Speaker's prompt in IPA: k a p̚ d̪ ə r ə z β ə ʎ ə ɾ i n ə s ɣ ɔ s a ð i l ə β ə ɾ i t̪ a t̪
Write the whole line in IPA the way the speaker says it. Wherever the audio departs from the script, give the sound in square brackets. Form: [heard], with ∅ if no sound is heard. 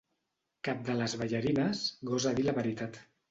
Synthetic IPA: k a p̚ d̪ ə [l] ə z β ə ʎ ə ɾ i n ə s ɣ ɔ [z] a ð i l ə β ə ɾ i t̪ a t̪